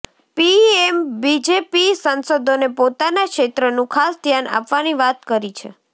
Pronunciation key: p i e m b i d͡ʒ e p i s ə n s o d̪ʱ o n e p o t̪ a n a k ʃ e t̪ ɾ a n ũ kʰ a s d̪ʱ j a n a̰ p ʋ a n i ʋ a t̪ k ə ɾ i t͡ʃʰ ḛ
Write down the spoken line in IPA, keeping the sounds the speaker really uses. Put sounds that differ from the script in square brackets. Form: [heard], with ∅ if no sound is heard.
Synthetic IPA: p i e m b i d͡ʒ e p i s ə n s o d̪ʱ o n e p o t̪ a n a k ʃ e t̪ ɾ [ə] n ũ kʰ a s d̪ʱ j a n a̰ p ʋ a n i ʋ a t̪ k ə ɾ i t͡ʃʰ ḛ